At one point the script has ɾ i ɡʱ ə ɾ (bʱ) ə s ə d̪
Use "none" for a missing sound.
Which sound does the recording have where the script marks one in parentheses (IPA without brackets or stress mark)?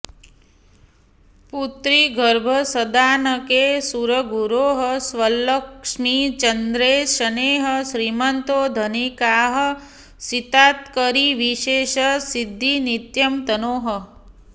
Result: bʱ